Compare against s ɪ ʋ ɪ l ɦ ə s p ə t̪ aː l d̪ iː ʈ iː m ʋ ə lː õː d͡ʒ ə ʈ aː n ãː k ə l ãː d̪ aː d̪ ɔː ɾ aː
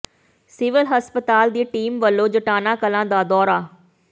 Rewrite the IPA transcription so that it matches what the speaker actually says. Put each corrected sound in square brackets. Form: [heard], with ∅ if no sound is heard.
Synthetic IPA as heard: s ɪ ʋ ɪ l ɦ ə s p ə t̪ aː l d̪ iː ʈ iː m ʋ ə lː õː d͡ʒ ə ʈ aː n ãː k ə l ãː d̪ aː d̪ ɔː ɾ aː